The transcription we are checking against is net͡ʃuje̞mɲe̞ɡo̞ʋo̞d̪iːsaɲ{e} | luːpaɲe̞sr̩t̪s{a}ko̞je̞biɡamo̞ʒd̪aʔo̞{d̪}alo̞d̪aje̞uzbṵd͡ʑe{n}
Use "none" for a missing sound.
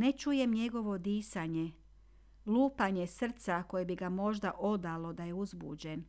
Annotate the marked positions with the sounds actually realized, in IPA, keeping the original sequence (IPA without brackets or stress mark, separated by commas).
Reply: e, a, d̪, n